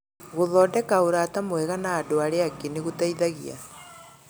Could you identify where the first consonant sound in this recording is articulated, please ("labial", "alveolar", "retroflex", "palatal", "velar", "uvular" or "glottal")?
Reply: velar